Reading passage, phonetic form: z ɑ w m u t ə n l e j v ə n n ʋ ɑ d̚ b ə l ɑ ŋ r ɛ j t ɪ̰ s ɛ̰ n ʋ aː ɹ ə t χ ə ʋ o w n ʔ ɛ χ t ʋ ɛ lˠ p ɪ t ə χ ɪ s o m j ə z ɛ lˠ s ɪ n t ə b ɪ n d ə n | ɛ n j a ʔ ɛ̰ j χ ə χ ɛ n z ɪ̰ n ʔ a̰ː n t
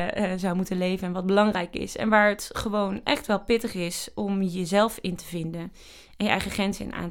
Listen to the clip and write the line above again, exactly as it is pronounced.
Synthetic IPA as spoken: z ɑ w m u t ə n l e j v ə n n ʋ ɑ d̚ b ə l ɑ ŋ r ɛ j k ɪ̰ s ɛ̰ n ʋ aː ɹ ə t χ ə ʋ o w n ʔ ɛ χ t ʋ ɛ lˠ p ɪ t ə χ ɪ s ɔ m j ə z ɛ lˠ f ɪ n t ə v ɪ n d ə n | ɛ n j ə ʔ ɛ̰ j χ ə χ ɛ n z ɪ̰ n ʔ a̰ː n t